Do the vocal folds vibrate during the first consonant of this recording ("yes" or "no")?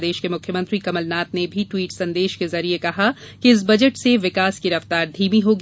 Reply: yes